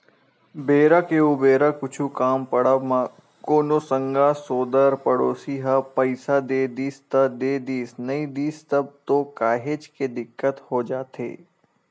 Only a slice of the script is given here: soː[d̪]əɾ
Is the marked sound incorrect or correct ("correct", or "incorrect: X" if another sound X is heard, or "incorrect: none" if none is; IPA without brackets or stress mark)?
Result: correct